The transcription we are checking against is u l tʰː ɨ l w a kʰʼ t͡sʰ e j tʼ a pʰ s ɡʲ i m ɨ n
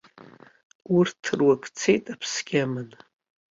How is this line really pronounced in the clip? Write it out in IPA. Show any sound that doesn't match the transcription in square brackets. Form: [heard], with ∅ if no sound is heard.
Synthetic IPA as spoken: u [r] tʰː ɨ [r] w a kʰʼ t͡sʰ e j tʼ a pʰ s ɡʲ [a] m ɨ n